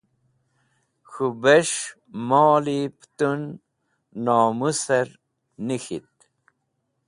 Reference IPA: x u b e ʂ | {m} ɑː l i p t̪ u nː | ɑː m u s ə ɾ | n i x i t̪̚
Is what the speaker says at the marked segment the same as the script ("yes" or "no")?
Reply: yes